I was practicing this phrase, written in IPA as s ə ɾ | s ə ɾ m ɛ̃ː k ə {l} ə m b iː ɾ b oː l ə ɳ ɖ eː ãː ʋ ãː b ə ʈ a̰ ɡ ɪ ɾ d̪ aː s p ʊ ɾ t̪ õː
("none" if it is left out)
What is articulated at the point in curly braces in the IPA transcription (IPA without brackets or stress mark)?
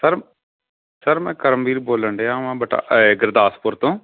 ɾ